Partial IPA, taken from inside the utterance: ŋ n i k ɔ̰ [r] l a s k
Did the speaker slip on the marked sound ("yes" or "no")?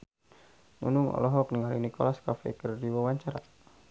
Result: yes